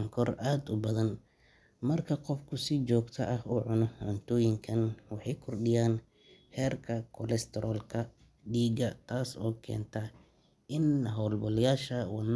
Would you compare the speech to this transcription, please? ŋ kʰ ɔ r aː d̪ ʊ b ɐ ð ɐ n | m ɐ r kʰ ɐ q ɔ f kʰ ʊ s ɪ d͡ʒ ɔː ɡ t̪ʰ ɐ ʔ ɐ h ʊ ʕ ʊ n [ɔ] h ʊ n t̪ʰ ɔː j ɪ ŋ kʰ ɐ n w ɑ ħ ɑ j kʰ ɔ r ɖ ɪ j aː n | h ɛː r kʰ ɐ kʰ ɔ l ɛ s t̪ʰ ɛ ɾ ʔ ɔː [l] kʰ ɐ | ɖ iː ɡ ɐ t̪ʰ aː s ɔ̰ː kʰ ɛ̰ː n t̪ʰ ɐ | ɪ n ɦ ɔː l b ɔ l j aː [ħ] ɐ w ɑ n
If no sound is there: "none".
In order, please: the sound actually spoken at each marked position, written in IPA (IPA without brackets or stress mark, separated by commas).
ɔ, l, ʃ